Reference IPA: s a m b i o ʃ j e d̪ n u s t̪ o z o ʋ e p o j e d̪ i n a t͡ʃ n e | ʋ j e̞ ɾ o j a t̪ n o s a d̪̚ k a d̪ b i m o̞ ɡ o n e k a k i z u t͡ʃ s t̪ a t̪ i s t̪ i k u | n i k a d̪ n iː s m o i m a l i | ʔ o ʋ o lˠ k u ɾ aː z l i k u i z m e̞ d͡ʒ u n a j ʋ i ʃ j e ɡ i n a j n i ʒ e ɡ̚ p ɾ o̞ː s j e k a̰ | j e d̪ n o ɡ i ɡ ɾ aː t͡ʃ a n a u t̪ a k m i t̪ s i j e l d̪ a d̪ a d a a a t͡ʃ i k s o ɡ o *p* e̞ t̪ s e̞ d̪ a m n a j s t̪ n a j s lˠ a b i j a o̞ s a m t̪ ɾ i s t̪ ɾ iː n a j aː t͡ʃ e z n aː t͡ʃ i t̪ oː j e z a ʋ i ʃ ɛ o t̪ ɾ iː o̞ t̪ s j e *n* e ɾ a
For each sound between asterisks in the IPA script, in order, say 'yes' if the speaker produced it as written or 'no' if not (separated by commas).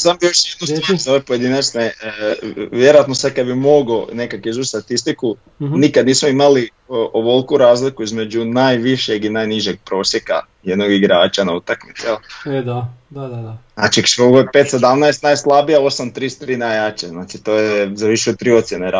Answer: yes, yes